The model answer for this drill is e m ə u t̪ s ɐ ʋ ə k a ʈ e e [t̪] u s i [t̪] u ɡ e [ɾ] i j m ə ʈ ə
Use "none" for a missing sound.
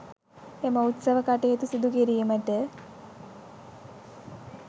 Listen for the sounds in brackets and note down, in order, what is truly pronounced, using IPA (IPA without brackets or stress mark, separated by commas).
t̪, d̪, ɾ